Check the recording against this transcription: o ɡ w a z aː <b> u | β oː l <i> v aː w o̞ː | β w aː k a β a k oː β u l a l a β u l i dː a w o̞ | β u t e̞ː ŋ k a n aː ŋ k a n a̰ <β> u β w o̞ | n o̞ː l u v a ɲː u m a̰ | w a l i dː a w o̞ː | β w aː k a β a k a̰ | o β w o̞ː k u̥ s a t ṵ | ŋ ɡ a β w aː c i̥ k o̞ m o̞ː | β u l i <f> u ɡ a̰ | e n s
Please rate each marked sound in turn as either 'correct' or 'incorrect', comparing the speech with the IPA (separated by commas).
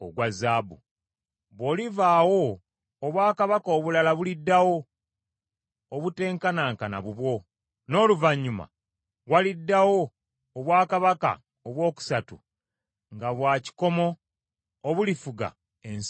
correct, correct, correct, correct